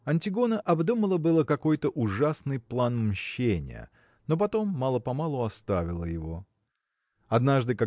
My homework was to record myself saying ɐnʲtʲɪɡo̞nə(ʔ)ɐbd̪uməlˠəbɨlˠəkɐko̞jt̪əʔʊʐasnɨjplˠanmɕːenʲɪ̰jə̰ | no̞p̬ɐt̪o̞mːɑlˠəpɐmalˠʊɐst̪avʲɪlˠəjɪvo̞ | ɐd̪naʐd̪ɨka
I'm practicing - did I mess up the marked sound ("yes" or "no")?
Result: no